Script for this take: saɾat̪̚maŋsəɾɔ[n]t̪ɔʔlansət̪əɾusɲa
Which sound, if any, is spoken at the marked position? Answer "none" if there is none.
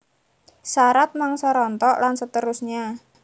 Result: n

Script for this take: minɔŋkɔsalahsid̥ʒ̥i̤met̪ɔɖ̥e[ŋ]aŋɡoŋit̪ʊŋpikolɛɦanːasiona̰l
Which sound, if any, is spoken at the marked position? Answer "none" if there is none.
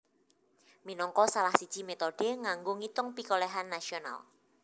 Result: ŋ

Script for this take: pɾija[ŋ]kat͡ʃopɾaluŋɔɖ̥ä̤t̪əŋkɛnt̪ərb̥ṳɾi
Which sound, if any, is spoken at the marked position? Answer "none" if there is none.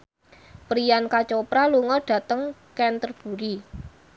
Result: n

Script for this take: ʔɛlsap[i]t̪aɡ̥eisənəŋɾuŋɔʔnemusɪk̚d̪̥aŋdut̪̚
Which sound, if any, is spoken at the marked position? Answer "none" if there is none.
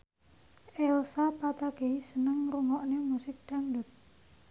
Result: a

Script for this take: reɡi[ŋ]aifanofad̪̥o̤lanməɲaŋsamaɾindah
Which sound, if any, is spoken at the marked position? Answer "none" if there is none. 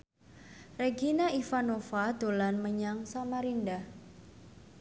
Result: n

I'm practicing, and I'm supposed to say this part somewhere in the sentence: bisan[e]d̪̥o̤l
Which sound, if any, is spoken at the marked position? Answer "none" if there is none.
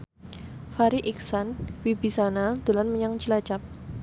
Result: a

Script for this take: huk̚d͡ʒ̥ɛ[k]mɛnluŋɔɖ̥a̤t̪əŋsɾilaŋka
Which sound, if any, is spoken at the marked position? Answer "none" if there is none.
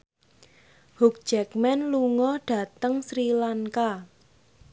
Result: k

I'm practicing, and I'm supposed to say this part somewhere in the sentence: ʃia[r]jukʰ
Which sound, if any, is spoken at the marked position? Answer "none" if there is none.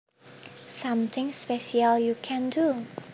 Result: l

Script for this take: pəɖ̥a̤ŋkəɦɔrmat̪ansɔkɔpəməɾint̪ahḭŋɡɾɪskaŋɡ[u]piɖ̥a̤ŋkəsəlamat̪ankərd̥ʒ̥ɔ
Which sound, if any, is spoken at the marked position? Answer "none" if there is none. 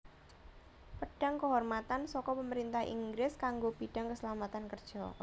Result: o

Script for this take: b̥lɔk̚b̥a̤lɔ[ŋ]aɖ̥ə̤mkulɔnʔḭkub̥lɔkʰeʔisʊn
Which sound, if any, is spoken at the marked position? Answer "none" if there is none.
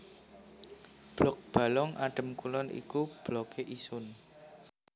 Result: ŋ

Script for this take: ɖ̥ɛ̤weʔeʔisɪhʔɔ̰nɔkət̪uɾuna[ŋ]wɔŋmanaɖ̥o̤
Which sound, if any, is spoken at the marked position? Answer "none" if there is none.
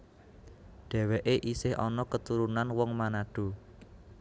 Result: n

